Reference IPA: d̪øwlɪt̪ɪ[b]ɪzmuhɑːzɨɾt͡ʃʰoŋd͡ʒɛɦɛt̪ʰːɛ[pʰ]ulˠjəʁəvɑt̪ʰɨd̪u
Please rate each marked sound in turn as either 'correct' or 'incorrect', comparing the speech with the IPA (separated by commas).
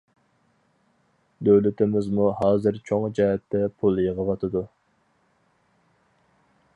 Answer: incorrect, correct